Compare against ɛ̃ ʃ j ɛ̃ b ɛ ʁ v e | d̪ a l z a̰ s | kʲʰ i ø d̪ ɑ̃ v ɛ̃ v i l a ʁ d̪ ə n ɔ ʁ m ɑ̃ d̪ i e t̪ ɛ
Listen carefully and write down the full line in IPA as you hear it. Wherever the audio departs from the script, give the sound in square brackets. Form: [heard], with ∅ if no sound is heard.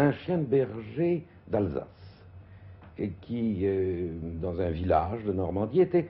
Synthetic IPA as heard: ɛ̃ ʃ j ɛ̃ b ɛ ʁ [ʒ] e | d̪ a l z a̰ s | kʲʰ i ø d̪ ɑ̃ [z] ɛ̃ v i l a [ʒ] d̪ ə n ɔ ʁ m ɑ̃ d̪ i e t̪ ɛ